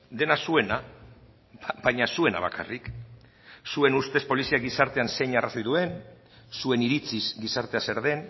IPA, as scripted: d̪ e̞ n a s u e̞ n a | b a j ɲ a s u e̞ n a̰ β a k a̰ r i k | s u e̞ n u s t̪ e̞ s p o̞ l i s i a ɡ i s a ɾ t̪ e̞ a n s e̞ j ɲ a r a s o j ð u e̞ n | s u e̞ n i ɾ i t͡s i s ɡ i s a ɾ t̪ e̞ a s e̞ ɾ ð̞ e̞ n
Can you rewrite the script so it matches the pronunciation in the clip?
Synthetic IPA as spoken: d̪ e̞ n a s u e̞ n a | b a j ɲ a s u e̞ n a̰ β a k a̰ r i k | s u e̞ n u s t̪ e̞ s p o̞ l i s i a ɡ i s a ɾ t̪ e̞ a n s e̞ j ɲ a r a s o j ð u e̞ n | s u e̞ n i ɾ i t͡s i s ɡ i s a ɾ t̪ e̞ a s e̞ ɾ ð̞ e̞ n